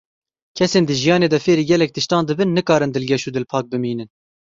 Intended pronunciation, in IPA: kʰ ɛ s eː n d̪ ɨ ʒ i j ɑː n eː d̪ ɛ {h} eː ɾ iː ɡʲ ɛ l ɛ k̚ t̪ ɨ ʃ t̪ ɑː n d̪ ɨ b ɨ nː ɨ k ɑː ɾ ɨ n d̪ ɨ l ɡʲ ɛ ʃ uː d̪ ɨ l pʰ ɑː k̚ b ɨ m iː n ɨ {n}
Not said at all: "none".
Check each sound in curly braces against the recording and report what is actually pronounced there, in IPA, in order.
f, n

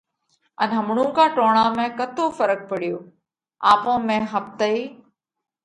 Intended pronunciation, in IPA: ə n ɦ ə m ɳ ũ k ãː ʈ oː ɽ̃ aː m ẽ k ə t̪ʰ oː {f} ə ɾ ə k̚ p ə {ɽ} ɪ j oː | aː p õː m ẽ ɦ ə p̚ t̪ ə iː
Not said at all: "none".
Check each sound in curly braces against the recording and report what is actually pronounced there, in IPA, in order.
f, ɽ

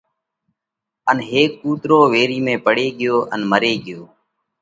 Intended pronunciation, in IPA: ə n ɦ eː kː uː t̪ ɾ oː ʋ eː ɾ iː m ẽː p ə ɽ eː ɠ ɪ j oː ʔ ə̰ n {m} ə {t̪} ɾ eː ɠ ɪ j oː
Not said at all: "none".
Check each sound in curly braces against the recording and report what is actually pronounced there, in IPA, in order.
m, none

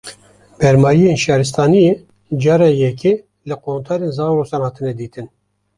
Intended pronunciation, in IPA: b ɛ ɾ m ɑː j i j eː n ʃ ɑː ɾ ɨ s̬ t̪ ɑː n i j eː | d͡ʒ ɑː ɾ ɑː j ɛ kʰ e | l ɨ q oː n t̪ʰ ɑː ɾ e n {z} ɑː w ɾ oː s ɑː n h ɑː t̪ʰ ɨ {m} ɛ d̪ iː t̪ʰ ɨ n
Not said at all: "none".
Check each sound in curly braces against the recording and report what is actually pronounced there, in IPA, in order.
z, n

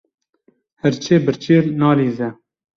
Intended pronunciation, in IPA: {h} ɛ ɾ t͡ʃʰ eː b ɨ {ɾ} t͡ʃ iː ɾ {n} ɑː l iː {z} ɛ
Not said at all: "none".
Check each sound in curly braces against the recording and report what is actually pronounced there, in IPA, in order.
h, ɾ, n, z

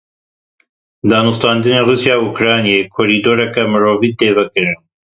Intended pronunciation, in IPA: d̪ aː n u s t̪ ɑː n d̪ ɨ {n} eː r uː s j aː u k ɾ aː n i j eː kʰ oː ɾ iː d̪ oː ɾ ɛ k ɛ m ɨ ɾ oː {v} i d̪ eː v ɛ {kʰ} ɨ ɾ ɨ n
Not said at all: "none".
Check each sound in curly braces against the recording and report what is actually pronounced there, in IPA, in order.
n, v, k

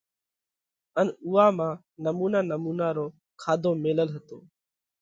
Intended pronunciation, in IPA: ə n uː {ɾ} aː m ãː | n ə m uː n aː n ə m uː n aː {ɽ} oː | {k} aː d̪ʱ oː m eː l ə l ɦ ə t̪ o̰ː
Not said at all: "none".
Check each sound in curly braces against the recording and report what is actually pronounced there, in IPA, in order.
none, ɾ, kʰ

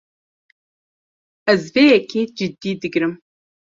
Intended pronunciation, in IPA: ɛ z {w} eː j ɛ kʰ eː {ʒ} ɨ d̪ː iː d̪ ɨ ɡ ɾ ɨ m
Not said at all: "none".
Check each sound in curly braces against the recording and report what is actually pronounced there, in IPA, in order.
v, d͡ʒ

